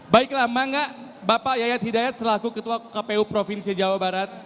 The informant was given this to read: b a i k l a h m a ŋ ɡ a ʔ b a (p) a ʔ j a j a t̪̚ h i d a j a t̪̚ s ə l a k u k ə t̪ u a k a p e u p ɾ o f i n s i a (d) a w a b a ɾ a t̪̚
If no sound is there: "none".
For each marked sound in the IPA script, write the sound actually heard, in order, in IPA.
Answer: p, d͡ʒ

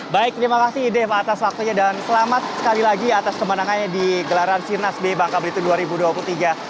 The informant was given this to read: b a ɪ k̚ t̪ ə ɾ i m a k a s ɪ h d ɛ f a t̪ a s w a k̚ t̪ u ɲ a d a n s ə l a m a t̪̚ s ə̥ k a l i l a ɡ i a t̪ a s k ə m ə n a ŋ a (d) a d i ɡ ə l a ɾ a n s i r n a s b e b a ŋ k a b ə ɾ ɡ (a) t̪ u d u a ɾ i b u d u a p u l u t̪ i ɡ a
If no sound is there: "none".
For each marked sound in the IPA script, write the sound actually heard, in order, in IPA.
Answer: n, i

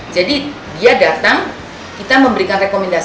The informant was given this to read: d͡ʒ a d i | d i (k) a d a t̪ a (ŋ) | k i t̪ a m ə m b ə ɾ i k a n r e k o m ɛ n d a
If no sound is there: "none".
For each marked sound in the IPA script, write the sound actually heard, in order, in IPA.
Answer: none, ŋ

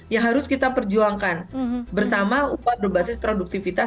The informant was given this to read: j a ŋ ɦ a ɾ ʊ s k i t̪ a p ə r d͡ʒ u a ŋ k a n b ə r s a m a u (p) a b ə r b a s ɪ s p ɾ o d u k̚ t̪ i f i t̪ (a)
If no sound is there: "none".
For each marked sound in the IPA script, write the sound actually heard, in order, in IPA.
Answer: p, a

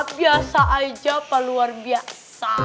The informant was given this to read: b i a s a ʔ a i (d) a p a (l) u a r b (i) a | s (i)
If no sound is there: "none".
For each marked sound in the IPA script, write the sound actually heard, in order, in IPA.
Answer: d͡ʒ, l, i, a

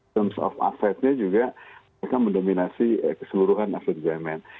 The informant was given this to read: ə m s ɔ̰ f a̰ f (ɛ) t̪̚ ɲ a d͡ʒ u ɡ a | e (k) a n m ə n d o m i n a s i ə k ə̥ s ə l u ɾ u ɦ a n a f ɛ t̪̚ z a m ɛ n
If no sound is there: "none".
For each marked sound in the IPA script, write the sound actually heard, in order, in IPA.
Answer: ɛ, k

